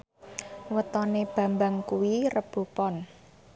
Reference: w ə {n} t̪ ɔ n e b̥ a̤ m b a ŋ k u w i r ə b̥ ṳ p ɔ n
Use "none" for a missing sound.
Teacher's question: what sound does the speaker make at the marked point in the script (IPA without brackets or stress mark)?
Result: none